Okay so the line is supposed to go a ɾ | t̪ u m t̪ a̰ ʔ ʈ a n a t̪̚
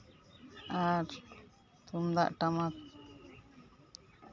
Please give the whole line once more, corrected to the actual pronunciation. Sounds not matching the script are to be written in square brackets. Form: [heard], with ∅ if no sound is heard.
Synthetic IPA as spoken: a ɾ | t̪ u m [d̪] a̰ ʔ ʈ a [m] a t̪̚